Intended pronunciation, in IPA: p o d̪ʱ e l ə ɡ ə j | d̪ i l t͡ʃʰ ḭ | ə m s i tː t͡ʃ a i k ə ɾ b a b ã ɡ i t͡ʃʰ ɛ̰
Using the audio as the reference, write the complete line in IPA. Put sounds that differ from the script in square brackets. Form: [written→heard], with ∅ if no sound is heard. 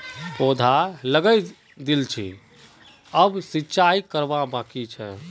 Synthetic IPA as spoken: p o d̪ʱ [e→a] l ə ɡ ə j | d̪ i l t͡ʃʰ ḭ | ə [m→b] s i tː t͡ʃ a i k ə ɾ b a b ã [ɡ→k] i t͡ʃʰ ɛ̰